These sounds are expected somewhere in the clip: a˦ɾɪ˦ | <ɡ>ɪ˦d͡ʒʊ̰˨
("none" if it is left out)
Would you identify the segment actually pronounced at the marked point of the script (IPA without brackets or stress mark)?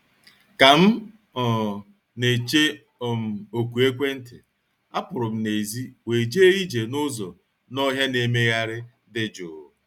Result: d